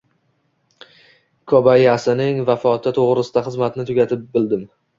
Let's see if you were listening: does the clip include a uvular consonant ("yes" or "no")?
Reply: yes